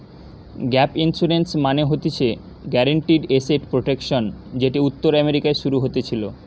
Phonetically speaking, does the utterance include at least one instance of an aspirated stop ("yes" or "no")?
yes